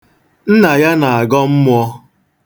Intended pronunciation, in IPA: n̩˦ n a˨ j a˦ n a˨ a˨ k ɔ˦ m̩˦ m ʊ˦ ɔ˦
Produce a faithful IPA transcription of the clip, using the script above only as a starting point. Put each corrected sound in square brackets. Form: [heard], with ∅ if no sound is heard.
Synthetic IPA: n̩˦ n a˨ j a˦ n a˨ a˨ [ɡ] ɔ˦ m̩˦ m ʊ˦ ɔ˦